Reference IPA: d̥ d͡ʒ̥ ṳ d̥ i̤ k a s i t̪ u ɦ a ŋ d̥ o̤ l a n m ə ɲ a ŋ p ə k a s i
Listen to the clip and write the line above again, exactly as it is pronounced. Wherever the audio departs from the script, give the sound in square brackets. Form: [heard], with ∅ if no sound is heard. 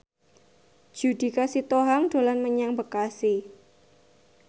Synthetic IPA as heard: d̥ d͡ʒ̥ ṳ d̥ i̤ k a s i t̪ [o] ɦ a ŋ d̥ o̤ l a n m ə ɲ a ŋ [b] ə k a s i